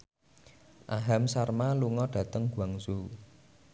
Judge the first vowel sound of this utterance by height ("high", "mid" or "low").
low